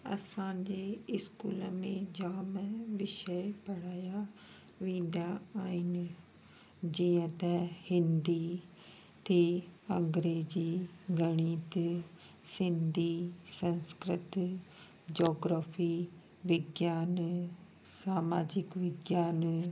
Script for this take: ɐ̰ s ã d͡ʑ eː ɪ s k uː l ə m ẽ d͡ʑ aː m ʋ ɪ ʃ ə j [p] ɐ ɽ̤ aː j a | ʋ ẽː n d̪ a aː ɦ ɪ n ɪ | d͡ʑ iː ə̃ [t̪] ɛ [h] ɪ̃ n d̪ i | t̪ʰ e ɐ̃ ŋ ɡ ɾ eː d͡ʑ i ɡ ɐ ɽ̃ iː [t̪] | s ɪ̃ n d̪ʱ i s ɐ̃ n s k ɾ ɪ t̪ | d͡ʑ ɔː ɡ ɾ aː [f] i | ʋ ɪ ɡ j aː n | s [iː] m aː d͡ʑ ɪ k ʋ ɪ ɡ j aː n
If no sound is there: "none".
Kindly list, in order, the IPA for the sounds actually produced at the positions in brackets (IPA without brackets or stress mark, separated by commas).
p, t̪, h, t̪, f, aː